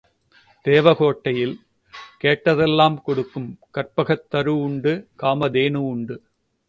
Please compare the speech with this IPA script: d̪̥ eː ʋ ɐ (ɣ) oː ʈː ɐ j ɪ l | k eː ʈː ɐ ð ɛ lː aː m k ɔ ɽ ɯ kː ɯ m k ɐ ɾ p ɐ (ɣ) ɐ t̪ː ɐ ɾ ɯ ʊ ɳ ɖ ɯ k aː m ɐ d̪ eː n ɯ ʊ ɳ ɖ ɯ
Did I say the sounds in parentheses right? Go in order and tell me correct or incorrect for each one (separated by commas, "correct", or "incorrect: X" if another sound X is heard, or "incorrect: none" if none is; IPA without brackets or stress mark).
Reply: correct, correct